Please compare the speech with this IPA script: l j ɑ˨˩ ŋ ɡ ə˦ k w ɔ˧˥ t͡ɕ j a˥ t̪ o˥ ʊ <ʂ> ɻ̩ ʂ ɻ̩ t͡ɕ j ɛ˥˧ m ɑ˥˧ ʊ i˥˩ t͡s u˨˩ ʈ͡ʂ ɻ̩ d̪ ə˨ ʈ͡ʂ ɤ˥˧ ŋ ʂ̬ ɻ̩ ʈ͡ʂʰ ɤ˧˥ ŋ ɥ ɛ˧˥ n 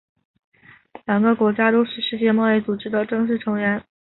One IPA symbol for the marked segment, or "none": ʂ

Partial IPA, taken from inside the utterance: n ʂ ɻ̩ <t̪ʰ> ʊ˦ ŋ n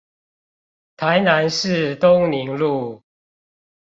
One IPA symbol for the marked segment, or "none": t̪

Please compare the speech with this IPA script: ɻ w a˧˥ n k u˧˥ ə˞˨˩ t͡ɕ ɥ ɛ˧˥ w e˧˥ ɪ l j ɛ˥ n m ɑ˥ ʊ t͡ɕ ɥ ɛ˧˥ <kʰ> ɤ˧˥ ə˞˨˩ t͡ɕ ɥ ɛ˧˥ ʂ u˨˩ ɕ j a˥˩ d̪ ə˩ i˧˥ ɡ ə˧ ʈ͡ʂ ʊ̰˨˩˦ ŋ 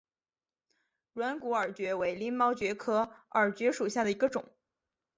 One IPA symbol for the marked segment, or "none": kʰ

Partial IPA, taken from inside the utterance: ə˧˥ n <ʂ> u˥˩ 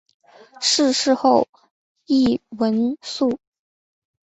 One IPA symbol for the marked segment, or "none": s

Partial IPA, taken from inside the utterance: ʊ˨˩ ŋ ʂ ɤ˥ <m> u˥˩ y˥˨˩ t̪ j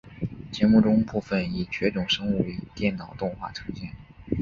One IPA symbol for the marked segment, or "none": ŋ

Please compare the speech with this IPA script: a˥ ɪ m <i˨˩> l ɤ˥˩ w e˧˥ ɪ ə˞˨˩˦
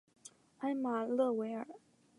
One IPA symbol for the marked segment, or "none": a˨˩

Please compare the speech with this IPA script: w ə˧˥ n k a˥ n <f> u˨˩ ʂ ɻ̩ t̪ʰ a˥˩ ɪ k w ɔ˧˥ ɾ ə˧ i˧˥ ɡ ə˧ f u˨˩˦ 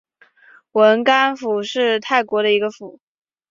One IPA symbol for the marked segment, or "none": f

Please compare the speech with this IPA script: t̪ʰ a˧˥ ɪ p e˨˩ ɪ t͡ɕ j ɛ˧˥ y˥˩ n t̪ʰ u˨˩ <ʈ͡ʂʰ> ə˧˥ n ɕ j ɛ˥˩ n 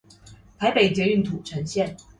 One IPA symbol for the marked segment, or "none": ʈ͡ʂʰ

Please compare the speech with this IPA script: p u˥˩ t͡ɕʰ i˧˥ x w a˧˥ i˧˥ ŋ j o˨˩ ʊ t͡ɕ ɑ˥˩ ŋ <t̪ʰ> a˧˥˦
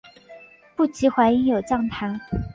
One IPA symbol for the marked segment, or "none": t̪ʰ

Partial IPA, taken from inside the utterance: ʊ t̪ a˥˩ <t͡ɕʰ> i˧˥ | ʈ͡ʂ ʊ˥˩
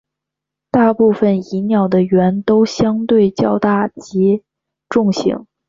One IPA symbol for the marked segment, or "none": t͡ɕ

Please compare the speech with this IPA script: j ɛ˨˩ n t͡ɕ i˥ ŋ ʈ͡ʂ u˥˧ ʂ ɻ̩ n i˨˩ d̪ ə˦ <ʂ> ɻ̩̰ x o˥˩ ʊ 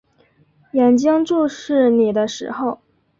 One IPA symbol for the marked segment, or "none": ʂ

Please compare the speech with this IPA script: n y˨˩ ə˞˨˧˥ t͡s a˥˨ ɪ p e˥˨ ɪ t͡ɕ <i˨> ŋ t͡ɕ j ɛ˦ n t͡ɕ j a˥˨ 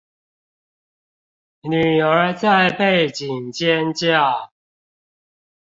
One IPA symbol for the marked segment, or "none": i˨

